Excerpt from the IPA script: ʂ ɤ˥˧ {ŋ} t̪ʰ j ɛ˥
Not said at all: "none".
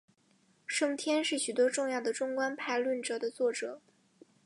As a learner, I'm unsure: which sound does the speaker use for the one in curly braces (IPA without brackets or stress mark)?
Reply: ŋ